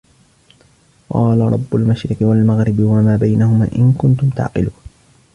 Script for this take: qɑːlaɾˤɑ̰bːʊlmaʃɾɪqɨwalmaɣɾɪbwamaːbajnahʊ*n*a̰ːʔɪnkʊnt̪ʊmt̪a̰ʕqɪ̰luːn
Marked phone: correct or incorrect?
incorrect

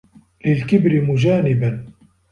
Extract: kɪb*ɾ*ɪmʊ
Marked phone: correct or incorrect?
correct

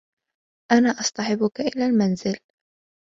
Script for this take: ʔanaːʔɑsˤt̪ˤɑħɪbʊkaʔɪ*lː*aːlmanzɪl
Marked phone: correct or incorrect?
incorrect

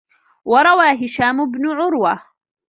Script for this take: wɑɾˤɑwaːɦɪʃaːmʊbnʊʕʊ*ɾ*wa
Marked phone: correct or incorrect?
correct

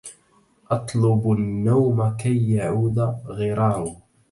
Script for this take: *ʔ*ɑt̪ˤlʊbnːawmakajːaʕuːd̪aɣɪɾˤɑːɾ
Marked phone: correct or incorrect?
correct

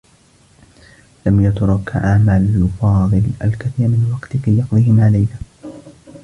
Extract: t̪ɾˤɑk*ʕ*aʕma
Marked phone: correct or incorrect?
correct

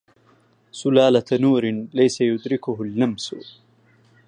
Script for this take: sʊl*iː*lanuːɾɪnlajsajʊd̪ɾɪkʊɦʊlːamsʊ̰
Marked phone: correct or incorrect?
incorrect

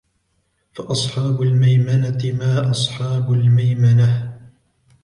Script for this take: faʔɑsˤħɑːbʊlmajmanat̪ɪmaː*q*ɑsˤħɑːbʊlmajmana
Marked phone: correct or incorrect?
incorrect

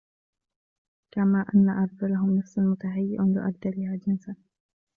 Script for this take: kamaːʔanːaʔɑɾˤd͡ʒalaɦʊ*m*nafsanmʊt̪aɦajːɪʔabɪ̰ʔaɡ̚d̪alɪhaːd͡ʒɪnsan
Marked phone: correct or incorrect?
correct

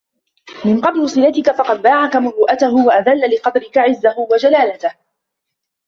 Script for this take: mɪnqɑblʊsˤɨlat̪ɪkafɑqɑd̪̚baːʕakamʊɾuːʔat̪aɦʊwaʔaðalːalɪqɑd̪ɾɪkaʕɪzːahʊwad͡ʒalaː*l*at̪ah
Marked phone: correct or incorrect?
correct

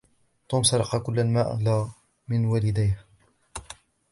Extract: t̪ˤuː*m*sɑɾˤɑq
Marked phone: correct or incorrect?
correct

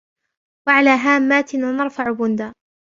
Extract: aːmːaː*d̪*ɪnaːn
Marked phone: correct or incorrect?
incorrect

